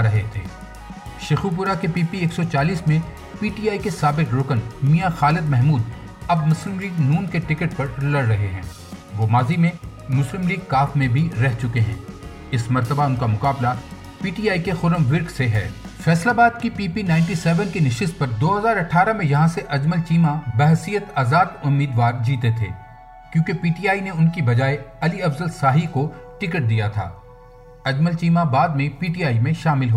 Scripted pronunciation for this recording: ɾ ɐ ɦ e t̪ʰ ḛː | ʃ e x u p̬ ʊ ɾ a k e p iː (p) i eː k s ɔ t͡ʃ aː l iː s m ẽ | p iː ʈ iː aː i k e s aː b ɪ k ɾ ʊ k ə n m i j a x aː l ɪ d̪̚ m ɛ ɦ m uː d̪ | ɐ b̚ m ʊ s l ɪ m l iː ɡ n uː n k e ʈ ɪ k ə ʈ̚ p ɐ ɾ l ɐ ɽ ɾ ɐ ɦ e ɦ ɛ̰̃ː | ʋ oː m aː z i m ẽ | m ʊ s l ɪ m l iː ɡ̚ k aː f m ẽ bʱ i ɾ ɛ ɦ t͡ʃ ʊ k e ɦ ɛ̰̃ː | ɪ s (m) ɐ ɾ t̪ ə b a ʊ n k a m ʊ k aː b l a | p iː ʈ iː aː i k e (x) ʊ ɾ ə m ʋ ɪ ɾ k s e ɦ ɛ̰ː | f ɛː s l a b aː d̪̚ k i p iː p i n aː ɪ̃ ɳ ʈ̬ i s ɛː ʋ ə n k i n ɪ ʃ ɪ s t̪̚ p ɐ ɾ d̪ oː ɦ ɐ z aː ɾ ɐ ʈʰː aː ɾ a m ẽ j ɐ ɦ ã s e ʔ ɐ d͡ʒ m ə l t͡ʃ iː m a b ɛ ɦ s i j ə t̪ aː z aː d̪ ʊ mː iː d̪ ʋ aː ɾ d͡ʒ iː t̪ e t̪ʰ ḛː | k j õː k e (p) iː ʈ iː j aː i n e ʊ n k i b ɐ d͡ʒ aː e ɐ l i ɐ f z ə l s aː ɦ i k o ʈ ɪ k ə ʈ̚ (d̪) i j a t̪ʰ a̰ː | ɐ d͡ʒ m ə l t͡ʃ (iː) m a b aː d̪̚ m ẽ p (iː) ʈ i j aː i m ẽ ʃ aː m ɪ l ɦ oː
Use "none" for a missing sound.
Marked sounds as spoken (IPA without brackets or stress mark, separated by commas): p, m, x, p, d̪, iː, iː